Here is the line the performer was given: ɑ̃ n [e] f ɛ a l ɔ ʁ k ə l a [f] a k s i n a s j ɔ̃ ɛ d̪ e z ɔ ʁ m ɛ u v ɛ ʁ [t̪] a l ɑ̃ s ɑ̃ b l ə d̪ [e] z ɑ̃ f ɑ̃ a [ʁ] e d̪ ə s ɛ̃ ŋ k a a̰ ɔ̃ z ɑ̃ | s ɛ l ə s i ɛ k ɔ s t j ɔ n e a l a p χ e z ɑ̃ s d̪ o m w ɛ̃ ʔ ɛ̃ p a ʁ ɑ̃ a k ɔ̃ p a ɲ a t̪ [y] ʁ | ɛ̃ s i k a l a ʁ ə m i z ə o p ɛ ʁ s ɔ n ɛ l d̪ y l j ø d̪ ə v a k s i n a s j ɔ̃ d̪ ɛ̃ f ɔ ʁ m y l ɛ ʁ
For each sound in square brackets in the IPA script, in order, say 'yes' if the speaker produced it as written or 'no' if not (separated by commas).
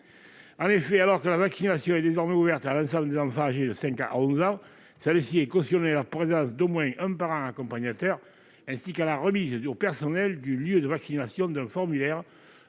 yes, no, yes, yes, no, no